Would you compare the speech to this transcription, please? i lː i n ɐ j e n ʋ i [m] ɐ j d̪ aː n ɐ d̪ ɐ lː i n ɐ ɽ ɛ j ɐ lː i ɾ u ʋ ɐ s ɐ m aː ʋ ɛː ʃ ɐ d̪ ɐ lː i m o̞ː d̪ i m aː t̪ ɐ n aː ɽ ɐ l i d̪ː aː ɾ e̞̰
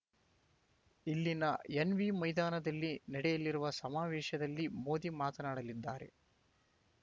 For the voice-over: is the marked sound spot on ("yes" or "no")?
yes